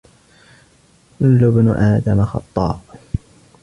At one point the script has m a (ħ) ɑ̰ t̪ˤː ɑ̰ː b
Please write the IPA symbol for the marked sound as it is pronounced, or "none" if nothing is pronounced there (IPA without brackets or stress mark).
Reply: x